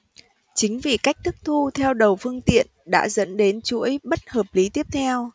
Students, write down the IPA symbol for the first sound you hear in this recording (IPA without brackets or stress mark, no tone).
t͡ɕ